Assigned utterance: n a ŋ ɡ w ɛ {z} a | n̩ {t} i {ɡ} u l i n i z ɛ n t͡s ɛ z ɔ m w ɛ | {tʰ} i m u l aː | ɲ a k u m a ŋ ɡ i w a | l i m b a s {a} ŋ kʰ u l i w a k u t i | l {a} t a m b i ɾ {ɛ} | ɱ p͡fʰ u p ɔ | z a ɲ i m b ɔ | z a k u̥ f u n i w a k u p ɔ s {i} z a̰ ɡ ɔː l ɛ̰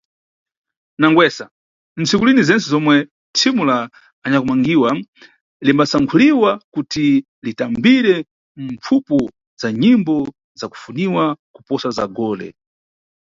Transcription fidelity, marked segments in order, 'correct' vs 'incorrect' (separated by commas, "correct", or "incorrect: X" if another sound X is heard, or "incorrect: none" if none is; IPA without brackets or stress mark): incorrect: s, incorrect: t͡s, incorrect: k, correct, correct, incorrect: i, correct, incorrect: a